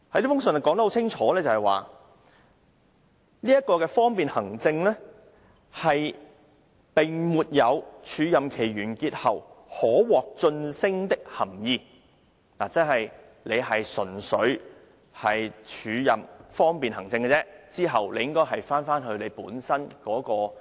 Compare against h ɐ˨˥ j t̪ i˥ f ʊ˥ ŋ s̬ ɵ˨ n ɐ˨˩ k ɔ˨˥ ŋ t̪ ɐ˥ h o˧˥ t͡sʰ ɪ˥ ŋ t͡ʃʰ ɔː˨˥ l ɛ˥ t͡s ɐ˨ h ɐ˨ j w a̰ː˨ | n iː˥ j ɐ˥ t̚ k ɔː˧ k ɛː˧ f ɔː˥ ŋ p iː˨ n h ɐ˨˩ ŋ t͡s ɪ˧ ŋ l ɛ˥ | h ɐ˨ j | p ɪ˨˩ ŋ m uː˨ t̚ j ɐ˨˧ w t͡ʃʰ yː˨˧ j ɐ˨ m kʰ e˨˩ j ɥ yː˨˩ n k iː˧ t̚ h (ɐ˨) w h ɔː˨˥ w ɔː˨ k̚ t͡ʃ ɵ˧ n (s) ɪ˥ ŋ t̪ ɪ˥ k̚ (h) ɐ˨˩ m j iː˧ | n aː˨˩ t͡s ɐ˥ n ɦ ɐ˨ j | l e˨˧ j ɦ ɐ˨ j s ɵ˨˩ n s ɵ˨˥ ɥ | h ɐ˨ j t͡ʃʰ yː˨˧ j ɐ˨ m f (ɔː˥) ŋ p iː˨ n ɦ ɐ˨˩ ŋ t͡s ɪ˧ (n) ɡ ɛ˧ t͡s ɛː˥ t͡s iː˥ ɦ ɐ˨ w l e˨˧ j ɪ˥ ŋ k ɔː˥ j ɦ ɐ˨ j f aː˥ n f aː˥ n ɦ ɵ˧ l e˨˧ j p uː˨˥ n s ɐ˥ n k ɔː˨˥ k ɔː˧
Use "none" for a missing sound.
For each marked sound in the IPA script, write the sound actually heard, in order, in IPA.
ɐ˨, s, h, ɔː˥, ŋ

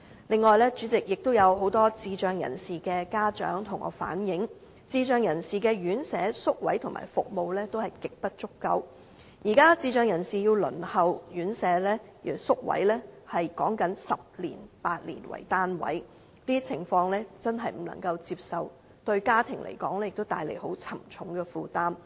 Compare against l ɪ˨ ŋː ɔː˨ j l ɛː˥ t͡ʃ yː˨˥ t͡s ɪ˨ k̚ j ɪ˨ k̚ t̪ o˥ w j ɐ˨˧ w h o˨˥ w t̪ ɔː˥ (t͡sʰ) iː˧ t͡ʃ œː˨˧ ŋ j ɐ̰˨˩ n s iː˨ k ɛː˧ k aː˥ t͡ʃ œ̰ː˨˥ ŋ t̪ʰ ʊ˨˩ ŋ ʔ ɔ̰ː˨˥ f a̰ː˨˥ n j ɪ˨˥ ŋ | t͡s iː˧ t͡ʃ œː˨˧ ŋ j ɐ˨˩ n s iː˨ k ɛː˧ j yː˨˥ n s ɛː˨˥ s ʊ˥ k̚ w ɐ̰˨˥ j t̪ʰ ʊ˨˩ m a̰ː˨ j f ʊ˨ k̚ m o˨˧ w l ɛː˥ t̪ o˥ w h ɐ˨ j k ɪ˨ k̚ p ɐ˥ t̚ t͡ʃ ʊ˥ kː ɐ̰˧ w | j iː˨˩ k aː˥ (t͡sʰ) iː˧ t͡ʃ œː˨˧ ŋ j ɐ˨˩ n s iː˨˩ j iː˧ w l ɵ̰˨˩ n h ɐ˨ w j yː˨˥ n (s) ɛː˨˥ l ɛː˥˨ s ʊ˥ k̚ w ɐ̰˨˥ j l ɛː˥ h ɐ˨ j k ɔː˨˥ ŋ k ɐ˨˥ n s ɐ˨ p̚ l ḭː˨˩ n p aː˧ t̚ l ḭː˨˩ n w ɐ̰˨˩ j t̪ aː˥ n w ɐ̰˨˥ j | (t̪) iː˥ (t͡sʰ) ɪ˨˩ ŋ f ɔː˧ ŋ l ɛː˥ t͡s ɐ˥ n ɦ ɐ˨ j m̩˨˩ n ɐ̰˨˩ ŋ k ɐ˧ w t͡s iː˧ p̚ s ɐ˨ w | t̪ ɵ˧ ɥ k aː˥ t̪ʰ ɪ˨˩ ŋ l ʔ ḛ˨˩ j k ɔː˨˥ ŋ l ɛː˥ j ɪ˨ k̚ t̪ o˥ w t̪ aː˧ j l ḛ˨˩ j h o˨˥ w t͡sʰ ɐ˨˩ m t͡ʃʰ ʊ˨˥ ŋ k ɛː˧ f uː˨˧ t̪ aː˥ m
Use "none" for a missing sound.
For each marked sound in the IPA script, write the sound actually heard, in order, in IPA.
t͡s, t͡s, s, t̪, t͡sʰ

